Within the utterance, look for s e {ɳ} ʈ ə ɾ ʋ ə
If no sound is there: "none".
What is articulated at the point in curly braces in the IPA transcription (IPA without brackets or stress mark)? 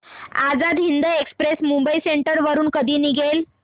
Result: ɳ